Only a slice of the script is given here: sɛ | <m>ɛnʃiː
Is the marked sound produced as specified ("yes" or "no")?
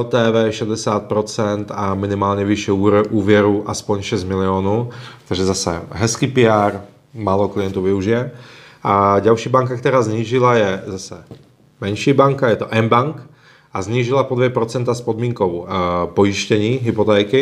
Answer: yes